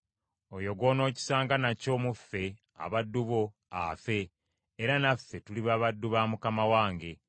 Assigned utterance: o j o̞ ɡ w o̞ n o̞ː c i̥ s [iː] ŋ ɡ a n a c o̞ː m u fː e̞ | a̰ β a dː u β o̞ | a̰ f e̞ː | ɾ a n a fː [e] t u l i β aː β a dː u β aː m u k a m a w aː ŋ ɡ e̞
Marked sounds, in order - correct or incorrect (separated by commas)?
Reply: incorrect, correct